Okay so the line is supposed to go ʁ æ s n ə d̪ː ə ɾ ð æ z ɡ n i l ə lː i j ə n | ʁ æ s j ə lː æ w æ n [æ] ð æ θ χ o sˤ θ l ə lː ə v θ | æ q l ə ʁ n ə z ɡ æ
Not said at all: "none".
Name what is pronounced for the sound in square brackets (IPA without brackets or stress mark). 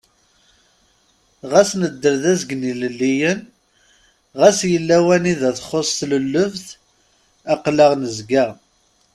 i